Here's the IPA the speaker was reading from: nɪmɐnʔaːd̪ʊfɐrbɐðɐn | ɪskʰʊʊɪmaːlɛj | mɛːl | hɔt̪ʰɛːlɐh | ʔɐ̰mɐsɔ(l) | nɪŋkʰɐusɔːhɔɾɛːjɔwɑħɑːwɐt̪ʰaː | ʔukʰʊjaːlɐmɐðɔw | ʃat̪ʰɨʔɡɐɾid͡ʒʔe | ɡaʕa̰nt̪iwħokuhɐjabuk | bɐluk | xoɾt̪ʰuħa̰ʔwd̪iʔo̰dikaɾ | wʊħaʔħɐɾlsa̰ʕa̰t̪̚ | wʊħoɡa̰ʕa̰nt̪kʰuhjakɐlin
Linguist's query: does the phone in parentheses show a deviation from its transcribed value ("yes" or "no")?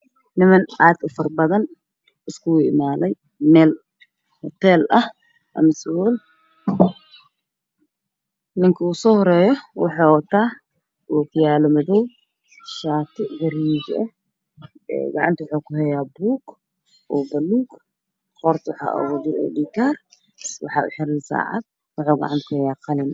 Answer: no